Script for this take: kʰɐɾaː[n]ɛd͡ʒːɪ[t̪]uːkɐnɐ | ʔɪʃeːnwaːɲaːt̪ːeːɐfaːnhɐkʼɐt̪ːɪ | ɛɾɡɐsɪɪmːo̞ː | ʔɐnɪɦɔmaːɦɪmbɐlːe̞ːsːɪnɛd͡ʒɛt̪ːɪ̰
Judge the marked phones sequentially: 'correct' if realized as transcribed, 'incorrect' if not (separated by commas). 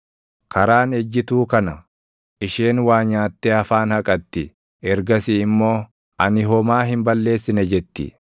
correct, correct